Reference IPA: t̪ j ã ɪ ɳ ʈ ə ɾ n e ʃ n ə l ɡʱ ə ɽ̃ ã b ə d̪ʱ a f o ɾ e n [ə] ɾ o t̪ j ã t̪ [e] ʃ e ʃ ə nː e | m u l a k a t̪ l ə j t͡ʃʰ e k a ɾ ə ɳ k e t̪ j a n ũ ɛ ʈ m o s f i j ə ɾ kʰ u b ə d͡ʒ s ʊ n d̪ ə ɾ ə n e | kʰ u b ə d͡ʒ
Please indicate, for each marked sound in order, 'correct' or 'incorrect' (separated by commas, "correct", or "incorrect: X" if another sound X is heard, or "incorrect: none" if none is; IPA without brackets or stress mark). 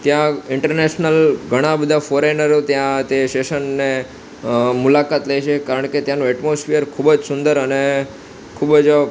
correct, correct